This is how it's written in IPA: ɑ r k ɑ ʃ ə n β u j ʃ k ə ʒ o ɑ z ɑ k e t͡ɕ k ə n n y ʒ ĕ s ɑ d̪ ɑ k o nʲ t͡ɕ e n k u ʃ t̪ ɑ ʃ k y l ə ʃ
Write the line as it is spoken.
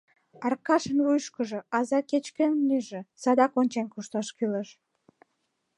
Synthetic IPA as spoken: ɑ r k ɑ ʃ ə n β u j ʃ k ə ʒ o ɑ z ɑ k e t͡ɕ k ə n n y ʒ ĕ s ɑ d̪ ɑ k o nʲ t͡ɕ e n k u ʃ t̪ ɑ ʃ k y l ə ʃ